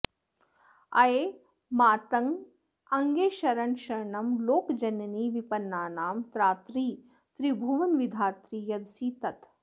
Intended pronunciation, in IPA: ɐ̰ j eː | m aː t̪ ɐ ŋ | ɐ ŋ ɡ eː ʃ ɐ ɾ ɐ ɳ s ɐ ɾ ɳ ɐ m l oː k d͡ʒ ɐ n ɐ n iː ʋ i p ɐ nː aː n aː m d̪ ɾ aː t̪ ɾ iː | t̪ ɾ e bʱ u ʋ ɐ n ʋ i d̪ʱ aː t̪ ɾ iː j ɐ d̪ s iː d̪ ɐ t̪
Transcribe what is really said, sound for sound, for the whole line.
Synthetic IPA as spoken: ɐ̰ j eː | m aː t̪ ɐ ŋ | ɐ ŋ ɡ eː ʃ ɐ ɾ ɐ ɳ ʃ ɐ ɾ ɳ ɐ m l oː k d͡ʒ ɐ n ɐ n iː ʋ i p ɐ nː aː n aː m t̪ ɾ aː t̪ ɾ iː | t̪ ɾ i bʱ u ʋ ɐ n ʋ i d̪ʱ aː t̪ ɾ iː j ɐ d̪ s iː t̪ ɐ t̪